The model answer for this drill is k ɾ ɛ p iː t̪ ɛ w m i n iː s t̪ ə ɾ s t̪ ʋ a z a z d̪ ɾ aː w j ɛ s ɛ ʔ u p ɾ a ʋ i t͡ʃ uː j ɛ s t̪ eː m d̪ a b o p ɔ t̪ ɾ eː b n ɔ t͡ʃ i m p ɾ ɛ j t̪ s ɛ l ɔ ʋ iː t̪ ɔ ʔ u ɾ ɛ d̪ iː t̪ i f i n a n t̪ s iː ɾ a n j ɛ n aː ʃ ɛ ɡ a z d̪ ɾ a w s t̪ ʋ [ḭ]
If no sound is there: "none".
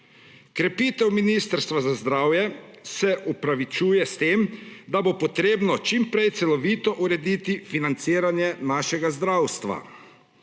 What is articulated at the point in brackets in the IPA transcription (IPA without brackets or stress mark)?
a̰